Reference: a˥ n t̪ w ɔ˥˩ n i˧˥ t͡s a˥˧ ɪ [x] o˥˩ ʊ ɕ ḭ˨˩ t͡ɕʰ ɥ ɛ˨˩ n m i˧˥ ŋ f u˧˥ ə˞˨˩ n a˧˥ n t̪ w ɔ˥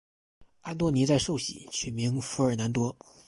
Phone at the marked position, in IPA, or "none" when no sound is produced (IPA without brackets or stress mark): ʂ